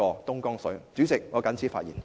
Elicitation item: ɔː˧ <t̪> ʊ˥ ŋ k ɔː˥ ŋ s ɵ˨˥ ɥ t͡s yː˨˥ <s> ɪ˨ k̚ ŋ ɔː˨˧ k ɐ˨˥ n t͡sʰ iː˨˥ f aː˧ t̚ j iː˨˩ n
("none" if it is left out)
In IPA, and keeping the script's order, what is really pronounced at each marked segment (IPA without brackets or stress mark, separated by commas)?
t̪, t͡s